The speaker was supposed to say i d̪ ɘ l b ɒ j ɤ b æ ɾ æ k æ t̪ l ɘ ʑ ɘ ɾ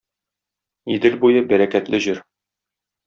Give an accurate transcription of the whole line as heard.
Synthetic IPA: i d̪ ɘ l b u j ɤ b æ ɾ æ k æ t̪ l ɘ ʑ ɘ ɾ